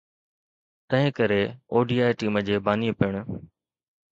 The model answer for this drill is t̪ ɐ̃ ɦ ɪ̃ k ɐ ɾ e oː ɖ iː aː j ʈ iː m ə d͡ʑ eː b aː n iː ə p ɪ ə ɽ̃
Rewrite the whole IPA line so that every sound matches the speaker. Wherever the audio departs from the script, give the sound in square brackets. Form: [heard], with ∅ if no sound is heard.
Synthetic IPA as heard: t̪ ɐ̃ ɦ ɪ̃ k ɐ ɾ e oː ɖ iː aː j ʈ iː m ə d͡ʑ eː b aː n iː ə p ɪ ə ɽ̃